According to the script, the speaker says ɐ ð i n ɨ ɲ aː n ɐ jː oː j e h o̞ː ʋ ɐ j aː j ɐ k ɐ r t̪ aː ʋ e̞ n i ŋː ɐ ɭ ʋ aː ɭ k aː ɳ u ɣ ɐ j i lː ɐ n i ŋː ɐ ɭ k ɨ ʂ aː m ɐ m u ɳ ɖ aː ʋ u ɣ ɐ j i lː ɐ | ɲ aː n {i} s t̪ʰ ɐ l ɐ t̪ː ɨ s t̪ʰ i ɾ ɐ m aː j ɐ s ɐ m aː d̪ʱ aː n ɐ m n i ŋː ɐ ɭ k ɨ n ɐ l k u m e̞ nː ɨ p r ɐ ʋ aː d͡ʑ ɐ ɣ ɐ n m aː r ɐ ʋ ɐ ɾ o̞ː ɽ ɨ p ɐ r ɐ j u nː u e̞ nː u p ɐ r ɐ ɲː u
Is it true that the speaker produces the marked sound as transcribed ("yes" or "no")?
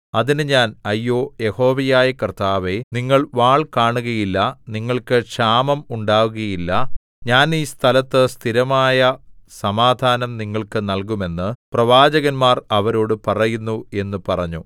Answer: no